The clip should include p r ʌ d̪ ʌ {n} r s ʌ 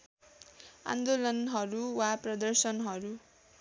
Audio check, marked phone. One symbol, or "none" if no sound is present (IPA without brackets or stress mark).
none